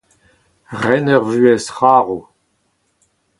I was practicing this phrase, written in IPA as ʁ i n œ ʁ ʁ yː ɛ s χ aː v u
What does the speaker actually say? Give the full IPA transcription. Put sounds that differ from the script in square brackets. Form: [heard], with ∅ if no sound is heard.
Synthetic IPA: ʁ [ɛ] n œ ʁ [v] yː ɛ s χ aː [ʁ] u